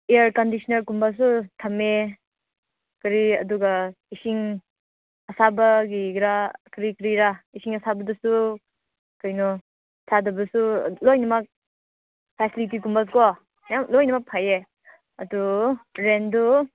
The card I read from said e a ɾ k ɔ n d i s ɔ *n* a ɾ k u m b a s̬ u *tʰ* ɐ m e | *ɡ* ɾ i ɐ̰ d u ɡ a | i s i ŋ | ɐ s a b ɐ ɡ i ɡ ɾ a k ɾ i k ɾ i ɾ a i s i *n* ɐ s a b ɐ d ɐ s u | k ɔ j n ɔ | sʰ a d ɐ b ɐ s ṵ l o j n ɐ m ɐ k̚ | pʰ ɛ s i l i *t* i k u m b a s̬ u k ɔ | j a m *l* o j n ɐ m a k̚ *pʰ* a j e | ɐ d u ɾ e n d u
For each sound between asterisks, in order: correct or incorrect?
correct, correct, incorrect, incorrect, correct, correct, correct

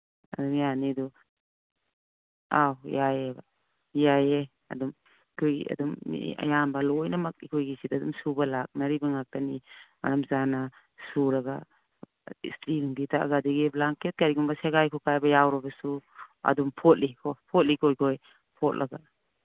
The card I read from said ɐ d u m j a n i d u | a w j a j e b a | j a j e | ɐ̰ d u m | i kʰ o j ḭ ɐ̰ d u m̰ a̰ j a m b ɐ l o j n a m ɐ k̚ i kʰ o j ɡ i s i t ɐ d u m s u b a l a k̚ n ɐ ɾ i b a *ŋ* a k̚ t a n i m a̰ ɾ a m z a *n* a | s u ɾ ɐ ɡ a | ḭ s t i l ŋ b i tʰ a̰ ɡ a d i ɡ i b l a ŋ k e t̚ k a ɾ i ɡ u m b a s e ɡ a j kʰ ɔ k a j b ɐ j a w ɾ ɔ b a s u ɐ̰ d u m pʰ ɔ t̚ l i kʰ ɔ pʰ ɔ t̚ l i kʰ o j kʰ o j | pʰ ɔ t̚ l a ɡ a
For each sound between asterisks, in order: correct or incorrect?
correct, correct

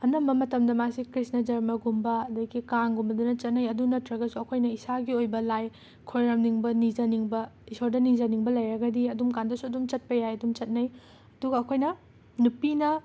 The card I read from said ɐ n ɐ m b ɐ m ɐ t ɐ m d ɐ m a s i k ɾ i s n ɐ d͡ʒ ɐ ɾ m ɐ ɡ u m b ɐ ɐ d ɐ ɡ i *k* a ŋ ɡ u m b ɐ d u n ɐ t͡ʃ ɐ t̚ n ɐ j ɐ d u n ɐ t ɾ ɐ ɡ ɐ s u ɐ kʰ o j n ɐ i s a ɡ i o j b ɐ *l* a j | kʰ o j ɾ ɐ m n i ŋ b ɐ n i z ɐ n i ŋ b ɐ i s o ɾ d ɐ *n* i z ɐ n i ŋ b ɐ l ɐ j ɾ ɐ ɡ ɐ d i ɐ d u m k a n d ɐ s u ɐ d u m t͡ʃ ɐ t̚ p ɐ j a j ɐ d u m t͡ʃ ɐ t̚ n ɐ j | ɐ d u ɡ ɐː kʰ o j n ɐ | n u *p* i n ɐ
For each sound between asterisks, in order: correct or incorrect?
correct, correct, correct, correct

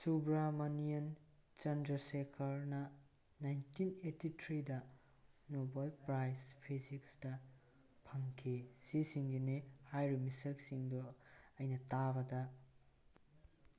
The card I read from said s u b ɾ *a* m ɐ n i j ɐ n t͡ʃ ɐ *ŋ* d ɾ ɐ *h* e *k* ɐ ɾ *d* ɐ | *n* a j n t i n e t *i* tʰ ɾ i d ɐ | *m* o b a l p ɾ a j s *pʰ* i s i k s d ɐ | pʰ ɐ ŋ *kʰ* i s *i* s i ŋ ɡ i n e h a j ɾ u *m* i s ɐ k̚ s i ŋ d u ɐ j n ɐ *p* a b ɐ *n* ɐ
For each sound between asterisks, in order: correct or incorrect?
correct, incorrect, incorrect, incorrect, incorrect, correct, correct, incorrect, correct, correct, correct, correct, incorrect, incorrect

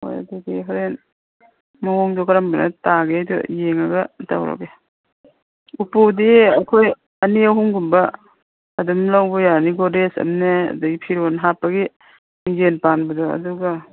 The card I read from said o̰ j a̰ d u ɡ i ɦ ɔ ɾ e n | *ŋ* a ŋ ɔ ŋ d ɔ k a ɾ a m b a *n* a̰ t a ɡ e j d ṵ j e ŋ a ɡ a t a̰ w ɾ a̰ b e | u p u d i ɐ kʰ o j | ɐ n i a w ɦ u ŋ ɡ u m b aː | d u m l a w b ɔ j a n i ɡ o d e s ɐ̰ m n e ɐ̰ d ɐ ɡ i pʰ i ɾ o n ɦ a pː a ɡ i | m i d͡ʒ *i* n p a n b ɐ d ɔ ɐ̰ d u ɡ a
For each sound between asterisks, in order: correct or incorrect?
incorrect, correct, incorrect

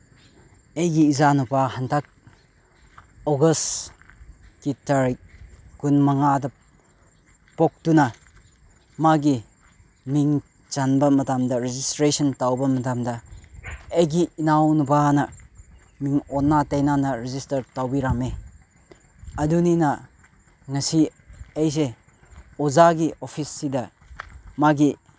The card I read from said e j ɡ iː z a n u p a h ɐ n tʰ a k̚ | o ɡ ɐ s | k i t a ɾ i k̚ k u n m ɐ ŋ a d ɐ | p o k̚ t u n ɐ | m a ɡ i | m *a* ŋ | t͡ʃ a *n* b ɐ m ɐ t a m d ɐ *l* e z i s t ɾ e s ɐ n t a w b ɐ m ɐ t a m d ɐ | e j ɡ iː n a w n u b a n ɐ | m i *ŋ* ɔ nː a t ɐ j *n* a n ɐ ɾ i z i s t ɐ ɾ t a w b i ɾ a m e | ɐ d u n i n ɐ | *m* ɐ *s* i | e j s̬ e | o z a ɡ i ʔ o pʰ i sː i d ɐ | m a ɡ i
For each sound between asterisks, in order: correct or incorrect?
incorrect, correct, incorrect, correct, correct, incorrect, correct

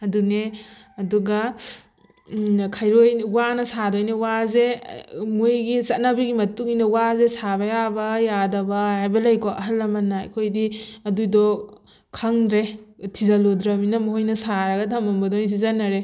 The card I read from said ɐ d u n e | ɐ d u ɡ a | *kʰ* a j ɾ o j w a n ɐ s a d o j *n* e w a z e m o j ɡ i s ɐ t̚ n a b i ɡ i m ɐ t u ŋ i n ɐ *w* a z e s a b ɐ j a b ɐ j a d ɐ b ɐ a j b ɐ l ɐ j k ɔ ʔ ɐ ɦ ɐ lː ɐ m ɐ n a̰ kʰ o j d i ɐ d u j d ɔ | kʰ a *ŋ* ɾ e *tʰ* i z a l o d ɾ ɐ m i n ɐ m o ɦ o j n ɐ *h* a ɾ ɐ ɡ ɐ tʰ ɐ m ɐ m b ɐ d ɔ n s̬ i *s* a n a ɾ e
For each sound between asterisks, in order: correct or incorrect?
correct, correct, correct, correct, correct, incorrect, incorrect

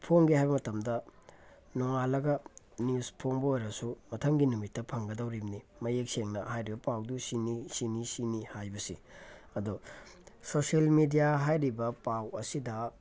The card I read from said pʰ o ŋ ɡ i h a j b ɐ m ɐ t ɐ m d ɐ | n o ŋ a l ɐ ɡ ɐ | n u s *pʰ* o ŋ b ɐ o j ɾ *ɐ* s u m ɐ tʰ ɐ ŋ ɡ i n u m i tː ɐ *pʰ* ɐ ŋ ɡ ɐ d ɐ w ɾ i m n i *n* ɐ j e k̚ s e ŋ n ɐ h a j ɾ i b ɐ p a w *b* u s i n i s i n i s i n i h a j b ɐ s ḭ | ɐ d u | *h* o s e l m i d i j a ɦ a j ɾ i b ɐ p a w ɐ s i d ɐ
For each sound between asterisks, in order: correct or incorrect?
correct, correct, correct, incorrect, incorrect, incorrect

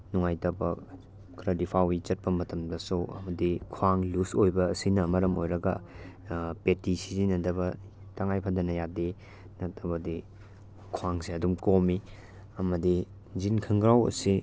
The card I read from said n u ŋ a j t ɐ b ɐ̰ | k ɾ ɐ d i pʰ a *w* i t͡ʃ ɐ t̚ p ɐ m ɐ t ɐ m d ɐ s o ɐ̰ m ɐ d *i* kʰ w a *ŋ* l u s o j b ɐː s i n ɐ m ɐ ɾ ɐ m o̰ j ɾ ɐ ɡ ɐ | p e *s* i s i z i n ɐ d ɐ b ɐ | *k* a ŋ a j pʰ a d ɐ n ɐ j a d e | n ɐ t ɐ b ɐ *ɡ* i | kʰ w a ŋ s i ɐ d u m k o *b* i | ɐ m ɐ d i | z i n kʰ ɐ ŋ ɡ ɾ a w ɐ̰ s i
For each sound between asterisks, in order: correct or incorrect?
correct, correct, correct, incorrect, incorrect, incorrect, incorrect

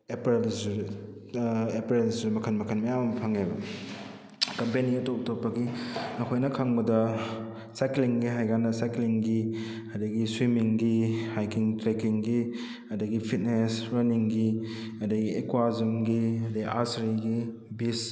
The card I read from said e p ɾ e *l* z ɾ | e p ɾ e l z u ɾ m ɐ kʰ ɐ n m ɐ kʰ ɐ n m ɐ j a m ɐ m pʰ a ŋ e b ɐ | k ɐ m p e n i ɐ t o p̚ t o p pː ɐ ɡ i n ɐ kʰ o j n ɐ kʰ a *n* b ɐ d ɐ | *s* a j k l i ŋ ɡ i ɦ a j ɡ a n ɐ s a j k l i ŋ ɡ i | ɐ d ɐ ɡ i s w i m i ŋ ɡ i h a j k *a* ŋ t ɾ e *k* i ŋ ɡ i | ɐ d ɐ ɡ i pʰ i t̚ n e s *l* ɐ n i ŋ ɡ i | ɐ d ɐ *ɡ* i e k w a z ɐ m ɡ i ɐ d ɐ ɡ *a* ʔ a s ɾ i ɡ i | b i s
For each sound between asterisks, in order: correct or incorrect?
correct, incorrect, correct, incorrect, correct, incorrect, correct, incorrect

